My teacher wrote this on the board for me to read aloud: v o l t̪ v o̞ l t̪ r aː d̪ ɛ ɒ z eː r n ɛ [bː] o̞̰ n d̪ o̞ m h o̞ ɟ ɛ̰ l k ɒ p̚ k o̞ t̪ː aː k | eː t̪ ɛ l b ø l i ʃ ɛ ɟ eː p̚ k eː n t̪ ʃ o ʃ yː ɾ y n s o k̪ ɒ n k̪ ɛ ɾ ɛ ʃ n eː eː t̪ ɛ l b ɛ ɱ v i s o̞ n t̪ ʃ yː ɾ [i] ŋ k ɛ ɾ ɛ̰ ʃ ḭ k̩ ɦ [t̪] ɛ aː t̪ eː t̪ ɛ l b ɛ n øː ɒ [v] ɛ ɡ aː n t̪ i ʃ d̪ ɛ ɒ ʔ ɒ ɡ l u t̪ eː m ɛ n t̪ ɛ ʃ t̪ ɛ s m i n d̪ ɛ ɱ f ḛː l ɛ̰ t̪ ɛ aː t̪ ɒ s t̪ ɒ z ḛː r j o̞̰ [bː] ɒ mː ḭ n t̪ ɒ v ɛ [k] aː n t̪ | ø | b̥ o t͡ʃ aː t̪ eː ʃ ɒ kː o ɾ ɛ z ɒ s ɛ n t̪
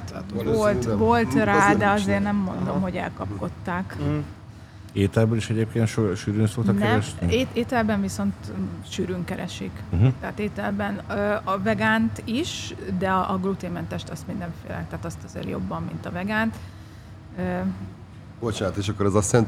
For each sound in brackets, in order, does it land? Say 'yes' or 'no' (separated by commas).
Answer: no, no, yes, yes, yes, no